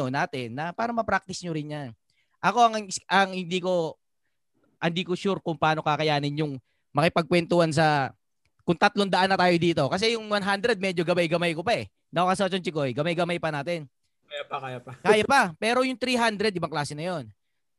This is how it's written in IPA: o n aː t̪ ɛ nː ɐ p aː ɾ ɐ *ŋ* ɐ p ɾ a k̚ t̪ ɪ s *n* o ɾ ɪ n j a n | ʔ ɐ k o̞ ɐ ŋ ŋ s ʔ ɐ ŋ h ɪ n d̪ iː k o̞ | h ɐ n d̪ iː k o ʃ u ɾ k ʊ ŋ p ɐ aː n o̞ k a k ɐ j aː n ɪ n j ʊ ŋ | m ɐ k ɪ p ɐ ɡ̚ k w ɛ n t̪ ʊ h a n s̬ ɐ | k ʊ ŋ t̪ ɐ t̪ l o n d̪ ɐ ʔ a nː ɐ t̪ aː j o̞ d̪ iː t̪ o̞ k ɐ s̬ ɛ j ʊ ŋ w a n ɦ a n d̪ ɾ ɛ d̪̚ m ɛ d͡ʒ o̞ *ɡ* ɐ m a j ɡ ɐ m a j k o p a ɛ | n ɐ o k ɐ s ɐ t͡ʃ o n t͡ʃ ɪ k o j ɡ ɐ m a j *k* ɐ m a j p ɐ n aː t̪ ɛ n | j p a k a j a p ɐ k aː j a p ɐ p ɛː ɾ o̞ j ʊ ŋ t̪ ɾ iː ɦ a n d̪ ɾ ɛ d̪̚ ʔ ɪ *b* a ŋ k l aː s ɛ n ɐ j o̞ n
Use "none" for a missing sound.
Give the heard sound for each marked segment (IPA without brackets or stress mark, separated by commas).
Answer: m, ɲ, ɡ, ɡ, b